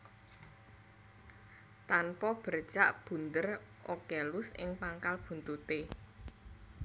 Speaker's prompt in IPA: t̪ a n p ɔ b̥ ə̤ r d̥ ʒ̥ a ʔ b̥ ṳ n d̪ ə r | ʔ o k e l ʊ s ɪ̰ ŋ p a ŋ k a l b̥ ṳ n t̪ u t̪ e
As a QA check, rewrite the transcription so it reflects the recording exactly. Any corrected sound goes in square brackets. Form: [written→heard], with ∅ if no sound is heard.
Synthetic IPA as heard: t̪ a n p ɔ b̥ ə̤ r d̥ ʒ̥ a ʔ b̥ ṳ n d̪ ə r | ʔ o k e l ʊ s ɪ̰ ŋ p a ŋ k a l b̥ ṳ n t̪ u t̪ e